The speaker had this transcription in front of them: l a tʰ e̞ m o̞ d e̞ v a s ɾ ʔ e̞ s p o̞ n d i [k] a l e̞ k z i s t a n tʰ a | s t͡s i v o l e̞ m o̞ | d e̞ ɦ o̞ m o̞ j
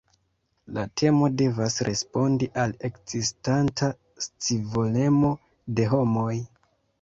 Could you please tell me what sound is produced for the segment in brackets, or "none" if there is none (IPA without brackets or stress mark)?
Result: ʔ